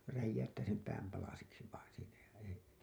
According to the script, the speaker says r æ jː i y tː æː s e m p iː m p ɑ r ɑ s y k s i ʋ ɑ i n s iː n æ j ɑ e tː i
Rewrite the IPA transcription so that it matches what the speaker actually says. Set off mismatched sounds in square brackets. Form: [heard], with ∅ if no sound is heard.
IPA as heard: r æ jː [æ] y tː æː s e m p [æː] m p ɑ [l] ɑ s [i] k s i ʋ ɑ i n s iː n æ j ɑ e [∅] i

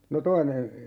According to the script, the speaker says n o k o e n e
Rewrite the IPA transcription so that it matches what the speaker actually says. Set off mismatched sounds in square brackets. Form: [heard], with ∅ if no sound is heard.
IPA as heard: n o [t] o [i] n e

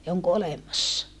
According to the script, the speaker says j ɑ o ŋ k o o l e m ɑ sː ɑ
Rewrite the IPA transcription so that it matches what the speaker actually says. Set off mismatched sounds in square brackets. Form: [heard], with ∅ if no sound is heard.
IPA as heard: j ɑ o ŋ k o o l e m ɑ sː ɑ

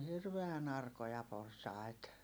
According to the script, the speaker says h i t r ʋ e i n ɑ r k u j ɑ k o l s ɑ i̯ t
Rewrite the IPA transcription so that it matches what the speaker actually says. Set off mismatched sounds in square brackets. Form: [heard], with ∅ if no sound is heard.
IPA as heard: h i [∅] r ʋ e [æ] n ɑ r k [o] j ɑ [p] o [r] s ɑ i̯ t

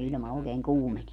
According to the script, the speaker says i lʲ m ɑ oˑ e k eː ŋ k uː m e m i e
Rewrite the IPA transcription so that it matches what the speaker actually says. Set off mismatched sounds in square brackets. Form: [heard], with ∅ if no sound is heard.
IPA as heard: i lʲ m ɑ oˑ e k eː ŋ k uː m e [n] i e

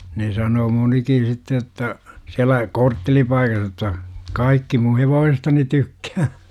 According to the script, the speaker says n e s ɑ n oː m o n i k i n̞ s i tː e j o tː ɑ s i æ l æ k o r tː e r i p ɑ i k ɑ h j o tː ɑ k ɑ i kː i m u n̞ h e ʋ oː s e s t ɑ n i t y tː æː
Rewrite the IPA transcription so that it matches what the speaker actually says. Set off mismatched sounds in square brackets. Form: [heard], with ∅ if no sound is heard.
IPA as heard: n e s ɑ n oː m o n i k i n̞ s i tː e j o tː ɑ s i æ l æ k o r tː e [l] i p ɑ i k ɑ h j o tː ɑ k ɑ i kː i m u n̞ h e ʋ oː s e s t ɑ n i t y [kː] æː

